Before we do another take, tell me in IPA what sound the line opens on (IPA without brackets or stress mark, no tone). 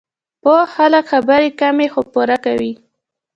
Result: p